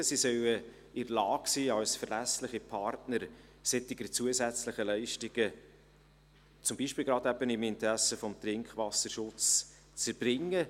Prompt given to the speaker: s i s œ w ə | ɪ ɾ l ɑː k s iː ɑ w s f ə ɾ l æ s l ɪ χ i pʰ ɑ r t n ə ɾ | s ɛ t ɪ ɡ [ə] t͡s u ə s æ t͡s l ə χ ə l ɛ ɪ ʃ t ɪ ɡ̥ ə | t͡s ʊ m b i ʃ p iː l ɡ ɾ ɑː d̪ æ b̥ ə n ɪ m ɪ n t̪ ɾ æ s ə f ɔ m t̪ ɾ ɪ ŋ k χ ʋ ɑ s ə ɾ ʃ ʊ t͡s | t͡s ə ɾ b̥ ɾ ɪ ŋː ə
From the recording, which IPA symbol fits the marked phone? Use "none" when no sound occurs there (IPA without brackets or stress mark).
ə